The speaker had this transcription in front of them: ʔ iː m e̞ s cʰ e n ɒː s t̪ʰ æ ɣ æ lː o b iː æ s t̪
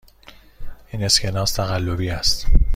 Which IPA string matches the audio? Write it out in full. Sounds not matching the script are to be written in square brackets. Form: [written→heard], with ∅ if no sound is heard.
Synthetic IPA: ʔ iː [m→n] e̞ s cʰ e n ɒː s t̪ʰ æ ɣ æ lː o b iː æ s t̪